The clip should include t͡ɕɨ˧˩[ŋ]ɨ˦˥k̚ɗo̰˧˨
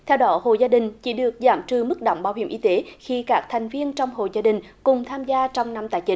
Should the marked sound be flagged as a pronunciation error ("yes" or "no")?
yes